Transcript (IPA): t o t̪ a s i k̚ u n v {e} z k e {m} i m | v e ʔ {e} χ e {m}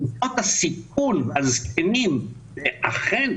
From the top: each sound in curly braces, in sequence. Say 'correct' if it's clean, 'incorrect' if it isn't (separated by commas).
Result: incorrect, incorrect, incorrect, incorrect